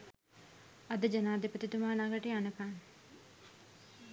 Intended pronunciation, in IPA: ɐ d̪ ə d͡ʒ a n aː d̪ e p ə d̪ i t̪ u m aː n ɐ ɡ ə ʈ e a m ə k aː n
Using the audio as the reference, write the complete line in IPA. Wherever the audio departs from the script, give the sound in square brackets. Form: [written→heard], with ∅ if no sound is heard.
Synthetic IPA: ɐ d̪ ə d͡ʒ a n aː d̪ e p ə [d̪→t̪] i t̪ u m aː n [ɐ→a] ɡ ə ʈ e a [m→n] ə k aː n